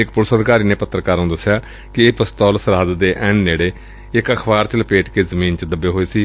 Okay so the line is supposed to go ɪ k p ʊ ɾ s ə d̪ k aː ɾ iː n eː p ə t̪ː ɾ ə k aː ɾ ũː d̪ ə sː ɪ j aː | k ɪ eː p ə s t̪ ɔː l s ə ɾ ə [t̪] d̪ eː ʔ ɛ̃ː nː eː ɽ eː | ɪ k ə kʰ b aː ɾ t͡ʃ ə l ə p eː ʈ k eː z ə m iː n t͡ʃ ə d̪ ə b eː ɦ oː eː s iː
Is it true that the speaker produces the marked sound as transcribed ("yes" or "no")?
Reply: no